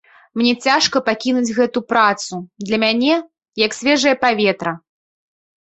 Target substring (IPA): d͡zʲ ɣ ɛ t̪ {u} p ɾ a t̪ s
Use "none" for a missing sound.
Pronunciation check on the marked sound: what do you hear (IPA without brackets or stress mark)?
u